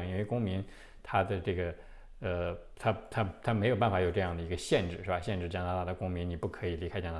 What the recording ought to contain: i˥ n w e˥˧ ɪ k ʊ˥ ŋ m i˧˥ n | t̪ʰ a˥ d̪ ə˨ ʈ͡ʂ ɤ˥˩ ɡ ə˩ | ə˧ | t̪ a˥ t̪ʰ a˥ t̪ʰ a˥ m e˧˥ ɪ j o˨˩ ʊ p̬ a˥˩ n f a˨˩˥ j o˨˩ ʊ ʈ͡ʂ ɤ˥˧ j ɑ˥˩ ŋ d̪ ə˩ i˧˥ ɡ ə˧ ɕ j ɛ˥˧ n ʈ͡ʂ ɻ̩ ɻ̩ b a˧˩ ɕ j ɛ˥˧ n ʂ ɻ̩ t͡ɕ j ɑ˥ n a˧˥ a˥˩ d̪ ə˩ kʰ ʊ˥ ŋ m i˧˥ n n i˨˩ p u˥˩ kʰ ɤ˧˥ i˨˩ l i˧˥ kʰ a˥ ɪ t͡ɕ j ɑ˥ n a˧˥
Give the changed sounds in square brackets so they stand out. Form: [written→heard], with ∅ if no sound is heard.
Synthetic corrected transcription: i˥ n w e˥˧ ɪ k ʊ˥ ŋ m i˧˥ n | t̪ʰ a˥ d̪ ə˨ ʈ͡ʂ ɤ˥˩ ɡ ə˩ | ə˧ | [t̪→t̪ʰ] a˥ t̪ʰ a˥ t̪ʰ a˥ m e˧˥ ɪ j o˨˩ ʊ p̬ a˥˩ n f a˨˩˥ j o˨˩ ʊ ʈ͡ʂ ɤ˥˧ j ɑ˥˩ ŋ d̪ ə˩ i˧˥ ɡ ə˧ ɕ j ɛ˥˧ n ʈ͡ʂ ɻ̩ ɻ̩ b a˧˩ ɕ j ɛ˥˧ n [ʂ→ʈ͡ʂ] ɻ̩ t͡ɕ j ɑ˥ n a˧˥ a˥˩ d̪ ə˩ [kʰ→k] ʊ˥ ŋ m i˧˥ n n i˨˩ p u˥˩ kʰ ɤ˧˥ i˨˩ l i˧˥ kʰ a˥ ɪ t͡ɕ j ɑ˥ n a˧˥

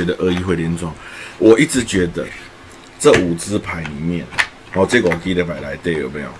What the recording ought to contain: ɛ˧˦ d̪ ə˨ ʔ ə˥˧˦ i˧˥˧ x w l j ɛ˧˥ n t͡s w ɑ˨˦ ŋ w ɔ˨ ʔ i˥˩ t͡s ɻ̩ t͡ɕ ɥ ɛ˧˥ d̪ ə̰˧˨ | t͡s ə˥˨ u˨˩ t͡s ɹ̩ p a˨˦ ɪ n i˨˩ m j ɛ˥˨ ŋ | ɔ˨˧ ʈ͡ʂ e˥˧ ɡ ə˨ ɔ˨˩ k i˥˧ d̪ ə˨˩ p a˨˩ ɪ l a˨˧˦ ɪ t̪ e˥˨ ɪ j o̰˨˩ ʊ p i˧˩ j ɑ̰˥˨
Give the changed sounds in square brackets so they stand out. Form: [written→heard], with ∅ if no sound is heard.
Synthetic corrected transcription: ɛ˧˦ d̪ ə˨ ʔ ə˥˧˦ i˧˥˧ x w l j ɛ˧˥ n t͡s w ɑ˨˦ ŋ w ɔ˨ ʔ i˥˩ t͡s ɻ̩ t͡ɕ ɥ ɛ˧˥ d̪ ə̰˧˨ | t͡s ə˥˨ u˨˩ t͡s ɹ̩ [p→pʰ] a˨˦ ɪ n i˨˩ m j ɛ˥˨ [ŋ→n] | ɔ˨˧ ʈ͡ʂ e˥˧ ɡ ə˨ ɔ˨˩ k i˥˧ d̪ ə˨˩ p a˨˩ ɪ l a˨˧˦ ɪ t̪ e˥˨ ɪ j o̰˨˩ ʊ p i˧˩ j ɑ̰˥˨

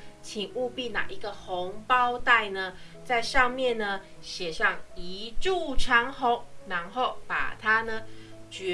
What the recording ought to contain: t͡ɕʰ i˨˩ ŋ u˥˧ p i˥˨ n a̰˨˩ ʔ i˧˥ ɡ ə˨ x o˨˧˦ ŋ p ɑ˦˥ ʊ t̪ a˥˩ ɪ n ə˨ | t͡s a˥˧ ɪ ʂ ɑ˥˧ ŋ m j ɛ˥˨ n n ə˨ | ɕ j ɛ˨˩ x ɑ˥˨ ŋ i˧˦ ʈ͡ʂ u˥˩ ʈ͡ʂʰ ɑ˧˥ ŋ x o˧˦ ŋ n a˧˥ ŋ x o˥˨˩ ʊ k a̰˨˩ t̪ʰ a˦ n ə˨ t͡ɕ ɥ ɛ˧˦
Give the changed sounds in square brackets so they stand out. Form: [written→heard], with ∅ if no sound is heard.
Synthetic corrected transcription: t͡ɕʰ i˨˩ ŋ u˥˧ p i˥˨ n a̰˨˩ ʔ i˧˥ ɡ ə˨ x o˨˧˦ ŋ p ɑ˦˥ ʊ t̪ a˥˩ ɪ n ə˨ | t͡s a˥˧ ɪ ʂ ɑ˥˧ ŋ m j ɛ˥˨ n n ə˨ | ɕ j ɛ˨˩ [x→ʂ] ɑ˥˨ ŋ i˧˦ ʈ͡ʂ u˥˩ ʈ͡ʂʰ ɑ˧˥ ŋ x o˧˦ ŋ n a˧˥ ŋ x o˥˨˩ ʊ [k→p] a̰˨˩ t̪ʰ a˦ n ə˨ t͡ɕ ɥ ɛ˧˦

